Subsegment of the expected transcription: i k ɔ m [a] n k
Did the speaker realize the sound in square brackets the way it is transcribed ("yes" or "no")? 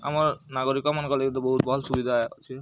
yes